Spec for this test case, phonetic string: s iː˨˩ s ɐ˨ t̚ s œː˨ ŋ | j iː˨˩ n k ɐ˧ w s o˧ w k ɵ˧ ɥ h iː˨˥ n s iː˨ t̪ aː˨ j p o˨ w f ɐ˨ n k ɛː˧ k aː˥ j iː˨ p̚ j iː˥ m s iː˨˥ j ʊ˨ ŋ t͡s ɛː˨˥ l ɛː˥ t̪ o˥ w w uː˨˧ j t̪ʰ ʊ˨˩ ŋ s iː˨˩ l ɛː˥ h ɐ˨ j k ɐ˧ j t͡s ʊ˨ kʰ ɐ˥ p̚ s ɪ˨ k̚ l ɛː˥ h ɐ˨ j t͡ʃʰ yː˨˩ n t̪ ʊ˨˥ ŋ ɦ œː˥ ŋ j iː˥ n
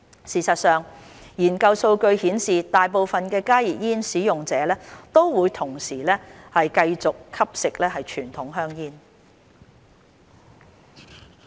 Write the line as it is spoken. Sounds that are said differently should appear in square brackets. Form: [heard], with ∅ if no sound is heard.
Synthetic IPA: s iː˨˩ s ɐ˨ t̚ s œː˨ ŋ | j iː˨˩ n k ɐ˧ w s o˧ w k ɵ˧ ɥ h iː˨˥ n s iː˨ t̪ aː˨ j p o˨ w f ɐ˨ n k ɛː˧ k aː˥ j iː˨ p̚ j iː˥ [n] s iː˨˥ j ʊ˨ ŋ t͡s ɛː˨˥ l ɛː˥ t̪ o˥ w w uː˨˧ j t̪ʰ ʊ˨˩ ŋ s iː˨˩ l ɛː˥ h ɐ˨ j k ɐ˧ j t͡s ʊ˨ kʰ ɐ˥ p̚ s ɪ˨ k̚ l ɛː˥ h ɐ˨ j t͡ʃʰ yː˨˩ n [t̪ʰ] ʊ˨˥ ŋ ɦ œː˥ ŋ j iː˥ n